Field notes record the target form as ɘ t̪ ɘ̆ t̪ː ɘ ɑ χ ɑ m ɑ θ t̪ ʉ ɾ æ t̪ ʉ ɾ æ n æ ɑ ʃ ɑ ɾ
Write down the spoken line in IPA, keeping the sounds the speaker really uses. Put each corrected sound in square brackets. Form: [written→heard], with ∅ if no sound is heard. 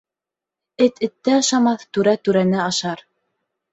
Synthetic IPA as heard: ɘ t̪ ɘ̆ t̪ː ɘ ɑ [χ→ʃ] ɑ m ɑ θ t̪ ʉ ɾ æ t̪ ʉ ɾ æ n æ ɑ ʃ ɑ ɾ